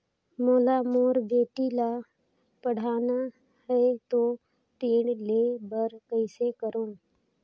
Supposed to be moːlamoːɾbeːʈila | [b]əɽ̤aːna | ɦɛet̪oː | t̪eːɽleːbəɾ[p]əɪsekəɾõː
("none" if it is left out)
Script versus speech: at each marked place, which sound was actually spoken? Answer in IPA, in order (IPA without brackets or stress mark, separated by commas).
p, k